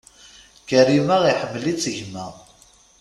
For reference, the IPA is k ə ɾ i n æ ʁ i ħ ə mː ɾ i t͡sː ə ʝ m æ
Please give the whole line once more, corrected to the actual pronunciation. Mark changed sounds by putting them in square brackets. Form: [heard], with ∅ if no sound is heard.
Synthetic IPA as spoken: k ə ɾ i [m] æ ʁ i ħ ə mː [l] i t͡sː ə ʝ m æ

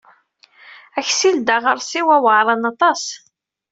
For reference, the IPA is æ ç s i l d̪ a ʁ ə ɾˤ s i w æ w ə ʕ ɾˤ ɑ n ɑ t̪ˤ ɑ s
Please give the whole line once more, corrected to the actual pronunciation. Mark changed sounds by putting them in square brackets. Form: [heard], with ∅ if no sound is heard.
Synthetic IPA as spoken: æ ç s i l d̪ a ʁ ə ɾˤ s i w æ w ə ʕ ɾˤ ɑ n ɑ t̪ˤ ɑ s

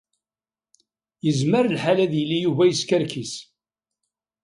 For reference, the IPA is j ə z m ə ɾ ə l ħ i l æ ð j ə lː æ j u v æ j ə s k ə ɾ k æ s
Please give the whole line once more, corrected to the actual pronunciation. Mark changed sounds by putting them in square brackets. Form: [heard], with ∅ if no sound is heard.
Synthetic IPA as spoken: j ə z m ə ɾ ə l ħ [a] l æ ð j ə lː [i] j u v æ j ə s k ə ɾ k [i] s

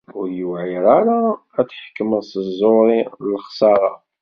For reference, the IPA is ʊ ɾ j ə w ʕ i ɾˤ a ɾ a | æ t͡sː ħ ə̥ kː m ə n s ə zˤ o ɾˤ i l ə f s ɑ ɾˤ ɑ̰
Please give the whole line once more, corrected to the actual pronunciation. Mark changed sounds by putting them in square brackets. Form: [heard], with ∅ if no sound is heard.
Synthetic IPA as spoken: ʊ ɾ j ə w ʕ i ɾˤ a ɾ a | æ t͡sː ħ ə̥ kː m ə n s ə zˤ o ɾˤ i l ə [χ] s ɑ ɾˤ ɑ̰

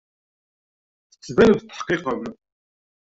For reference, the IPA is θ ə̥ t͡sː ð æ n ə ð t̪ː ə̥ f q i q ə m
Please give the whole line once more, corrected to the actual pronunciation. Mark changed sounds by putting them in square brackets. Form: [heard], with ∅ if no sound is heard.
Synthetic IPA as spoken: θ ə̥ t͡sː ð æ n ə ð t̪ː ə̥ [ħ] q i q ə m

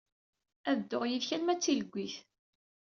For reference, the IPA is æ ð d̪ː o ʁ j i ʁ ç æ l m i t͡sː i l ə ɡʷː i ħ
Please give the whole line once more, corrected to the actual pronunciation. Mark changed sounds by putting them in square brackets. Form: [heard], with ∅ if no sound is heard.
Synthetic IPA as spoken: æ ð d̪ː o ʁ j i [ð] ç æ l m [æ] t͡sː i l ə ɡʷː i [θ]

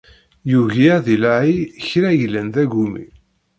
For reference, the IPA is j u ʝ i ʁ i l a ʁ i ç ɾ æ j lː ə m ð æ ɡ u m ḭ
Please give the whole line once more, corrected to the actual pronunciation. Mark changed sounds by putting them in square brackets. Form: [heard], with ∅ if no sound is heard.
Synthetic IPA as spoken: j u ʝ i [ð] i l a [ʕ] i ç ɾ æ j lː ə [n] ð æ ɡ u m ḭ

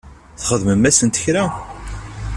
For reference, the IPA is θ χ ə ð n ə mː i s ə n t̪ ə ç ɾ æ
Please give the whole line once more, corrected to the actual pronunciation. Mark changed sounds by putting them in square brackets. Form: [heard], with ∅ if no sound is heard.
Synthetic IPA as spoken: θ χ ə ð [m] ə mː [æ] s ə n t̪ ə ç ɾ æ

